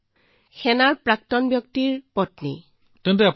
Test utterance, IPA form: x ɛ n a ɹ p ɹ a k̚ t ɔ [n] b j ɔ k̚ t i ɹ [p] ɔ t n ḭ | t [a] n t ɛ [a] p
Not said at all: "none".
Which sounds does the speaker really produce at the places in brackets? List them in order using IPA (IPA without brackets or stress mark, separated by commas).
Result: n, p, ɛ, a